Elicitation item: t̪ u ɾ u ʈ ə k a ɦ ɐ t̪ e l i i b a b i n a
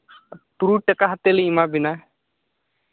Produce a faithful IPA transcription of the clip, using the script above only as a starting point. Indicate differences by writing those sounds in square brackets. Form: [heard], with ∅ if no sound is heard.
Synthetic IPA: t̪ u ɾ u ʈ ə k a ɦ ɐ t̪ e l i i [m] a b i n a